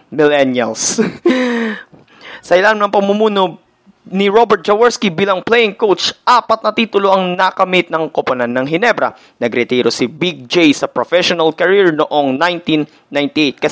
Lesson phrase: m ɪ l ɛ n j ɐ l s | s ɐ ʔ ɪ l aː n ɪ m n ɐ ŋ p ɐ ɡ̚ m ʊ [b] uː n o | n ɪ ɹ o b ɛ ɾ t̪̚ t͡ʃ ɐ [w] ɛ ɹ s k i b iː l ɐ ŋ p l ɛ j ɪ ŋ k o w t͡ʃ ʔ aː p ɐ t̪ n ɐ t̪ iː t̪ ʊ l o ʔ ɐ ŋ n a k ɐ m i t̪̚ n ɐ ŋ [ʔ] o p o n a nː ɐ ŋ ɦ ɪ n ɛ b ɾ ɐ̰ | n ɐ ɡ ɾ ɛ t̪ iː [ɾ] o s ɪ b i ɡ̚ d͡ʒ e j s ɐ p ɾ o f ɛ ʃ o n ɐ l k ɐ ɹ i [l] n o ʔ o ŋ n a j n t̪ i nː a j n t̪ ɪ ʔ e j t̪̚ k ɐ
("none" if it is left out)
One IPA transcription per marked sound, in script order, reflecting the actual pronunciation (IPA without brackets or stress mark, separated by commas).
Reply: m, w, k, ɾ, ɹ